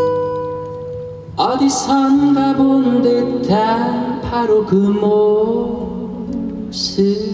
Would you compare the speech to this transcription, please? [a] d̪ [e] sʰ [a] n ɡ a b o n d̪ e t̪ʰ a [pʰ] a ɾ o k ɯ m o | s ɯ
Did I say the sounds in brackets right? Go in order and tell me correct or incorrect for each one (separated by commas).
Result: incorrect, incorrect, incorrect, correct